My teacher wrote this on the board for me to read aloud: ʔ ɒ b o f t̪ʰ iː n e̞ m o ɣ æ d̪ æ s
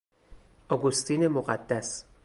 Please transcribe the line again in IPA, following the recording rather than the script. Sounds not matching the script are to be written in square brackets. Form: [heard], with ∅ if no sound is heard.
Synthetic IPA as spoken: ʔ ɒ [ɡ] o [s] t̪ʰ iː n e̞ m o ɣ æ [d̪ː] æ s